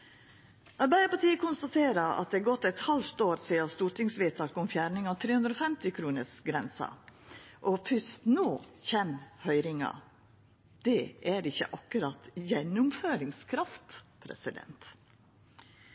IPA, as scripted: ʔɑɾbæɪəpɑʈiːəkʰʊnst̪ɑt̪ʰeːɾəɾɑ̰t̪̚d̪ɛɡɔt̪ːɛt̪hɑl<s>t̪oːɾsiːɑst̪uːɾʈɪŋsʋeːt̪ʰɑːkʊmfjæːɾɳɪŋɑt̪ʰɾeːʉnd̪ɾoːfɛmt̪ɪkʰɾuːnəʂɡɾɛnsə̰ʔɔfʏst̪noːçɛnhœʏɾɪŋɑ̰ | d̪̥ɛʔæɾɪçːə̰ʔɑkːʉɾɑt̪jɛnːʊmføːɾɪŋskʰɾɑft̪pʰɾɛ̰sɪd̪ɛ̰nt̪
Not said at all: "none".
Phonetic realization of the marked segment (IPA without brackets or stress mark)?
f